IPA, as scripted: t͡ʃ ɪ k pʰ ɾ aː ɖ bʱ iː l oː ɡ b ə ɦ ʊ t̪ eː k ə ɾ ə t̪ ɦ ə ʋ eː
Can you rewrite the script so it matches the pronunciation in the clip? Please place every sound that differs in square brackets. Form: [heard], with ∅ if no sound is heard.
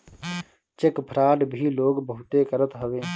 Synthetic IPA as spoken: t͡ʃ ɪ k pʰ ɾ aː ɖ bʱ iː l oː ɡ b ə ɦ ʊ t̪ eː k ə ɾ ə t̪ ɦ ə ʋ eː